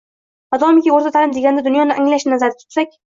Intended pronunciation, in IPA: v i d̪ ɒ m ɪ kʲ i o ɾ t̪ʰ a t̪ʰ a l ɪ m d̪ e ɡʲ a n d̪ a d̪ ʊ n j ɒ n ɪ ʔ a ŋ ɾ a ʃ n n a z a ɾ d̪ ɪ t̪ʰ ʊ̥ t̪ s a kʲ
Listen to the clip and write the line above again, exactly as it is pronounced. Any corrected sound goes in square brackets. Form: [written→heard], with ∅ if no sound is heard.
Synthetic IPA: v [i→a] d̪ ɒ m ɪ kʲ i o ɾ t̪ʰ a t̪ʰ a l ɪ m d̪ e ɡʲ a n d̪ a d̪ ʊ n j ɒ n ɪ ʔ a ŋ [ɾ→l] a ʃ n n a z a ɾ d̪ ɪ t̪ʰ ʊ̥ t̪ s a kʲ